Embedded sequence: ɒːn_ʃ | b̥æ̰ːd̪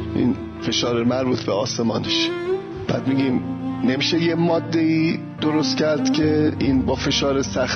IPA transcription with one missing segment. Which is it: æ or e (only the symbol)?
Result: e